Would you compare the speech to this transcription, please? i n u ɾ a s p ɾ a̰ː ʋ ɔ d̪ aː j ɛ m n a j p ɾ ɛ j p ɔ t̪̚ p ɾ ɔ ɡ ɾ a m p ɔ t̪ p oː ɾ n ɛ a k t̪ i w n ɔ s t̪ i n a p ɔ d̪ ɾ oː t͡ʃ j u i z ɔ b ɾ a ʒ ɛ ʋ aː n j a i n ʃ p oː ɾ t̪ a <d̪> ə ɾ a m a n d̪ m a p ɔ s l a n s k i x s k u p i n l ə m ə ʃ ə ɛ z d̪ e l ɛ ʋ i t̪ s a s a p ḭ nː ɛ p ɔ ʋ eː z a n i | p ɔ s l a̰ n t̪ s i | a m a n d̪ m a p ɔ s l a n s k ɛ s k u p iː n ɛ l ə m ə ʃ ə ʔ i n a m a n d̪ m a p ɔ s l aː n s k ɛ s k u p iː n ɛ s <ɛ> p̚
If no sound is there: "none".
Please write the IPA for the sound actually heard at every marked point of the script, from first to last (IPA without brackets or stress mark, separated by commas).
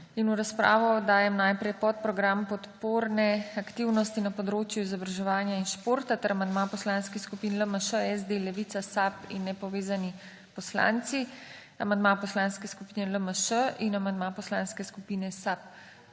t̪, a